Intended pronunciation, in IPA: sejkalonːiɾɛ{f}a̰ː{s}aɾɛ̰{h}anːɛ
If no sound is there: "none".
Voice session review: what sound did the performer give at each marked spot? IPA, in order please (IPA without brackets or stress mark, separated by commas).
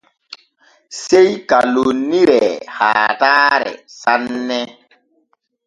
h, t, s